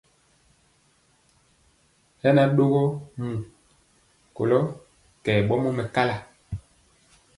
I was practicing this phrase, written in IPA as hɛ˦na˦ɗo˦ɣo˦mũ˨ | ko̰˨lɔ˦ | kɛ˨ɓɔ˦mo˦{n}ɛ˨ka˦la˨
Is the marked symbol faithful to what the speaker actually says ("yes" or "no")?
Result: no